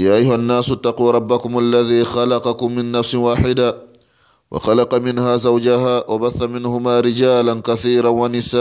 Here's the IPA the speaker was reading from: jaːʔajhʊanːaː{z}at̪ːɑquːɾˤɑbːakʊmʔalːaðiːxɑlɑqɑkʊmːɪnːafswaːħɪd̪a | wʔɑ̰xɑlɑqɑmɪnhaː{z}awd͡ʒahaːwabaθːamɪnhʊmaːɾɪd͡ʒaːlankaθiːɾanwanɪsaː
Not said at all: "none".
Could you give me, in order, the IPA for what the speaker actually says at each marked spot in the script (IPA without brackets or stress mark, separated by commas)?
s, z